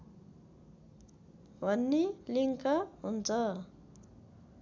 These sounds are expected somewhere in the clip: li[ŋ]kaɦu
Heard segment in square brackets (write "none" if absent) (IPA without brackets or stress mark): ŋ